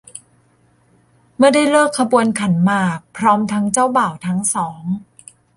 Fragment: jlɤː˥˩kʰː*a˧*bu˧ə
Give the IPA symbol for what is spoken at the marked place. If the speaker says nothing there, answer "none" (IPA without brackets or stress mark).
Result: a˧